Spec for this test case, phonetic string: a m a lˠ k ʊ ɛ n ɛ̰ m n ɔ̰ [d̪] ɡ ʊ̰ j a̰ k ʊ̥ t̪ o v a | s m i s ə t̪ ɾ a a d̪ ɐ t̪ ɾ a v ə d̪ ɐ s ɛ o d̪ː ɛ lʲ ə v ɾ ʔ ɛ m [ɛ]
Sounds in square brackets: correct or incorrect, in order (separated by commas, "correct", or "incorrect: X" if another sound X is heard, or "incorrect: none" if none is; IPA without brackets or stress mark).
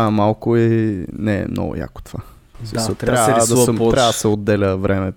incorrect: none, correct